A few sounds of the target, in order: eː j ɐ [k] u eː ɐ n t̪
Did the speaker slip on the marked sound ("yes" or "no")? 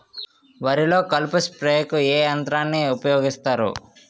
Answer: no